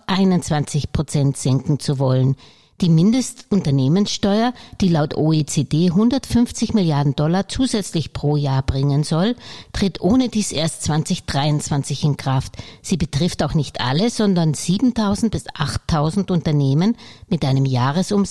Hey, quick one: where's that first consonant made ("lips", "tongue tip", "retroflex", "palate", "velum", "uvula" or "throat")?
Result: throat